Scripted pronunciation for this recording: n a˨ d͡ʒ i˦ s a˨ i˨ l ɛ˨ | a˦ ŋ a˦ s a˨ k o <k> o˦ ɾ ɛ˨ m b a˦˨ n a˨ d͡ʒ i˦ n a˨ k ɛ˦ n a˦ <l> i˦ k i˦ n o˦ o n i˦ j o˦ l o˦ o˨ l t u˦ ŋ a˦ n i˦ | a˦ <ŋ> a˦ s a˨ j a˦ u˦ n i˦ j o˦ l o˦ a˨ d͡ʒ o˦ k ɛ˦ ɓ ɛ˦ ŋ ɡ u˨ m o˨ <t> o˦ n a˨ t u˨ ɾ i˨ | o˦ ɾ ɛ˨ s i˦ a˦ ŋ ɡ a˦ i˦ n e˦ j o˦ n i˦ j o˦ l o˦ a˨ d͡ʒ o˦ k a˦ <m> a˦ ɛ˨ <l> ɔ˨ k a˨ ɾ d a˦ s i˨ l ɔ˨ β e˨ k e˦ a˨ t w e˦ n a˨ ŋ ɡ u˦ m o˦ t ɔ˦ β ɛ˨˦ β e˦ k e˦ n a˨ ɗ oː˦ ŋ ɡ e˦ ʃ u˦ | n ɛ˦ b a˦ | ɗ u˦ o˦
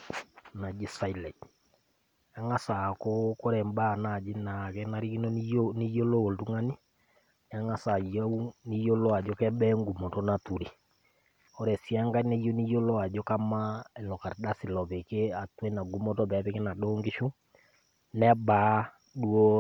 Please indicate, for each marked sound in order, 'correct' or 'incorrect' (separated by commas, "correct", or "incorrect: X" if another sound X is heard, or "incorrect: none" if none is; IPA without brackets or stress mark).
correct, incorrect: ɾ, correct, correct, correct, correct